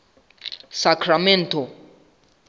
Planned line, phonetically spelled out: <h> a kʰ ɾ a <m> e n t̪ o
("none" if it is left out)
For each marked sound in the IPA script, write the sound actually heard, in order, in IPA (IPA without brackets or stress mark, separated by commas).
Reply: s, m